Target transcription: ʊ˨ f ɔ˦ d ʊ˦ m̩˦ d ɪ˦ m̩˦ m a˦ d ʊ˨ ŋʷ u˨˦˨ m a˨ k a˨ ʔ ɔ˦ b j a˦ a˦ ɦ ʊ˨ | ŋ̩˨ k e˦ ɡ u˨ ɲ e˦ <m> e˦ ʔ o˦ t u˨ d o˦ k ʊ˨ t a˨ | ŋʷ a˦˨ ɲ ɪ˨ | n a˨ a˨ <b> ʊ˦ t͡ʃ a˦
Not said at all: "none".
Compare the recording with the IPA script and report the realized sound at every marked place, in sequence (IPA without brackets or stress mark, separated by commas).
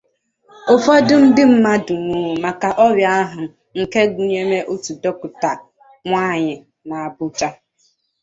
m, b